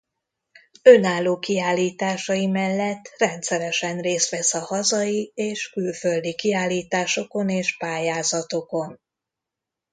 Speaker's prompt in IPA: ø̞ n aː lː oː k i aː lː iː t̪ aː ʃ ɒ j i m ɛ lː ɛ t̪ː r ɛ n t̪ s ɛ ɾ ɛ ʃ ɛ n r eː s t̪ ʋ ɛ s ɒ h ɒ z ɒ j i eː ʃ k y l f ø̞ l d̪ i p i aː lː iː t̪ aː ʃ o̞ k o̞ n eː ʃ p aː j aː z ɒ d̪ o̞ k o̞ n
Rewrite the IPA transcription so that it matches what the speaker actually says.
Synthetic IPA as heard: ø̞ n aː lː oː k i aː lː iː t̪ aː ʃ ɒ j i m ɛ lː ɛ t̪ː r ɛ n t̪ s ɛ ɾ ɛ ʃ ɛ n r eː s t̪ ʋ ɛ s ɒ h ɒ z ɒ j i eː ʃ k y l f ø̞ l d̪ i k i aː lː iː t̪ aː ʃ o̞ k o̞ n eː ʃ p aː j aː z ɒ t̪ o̞ k o̞ n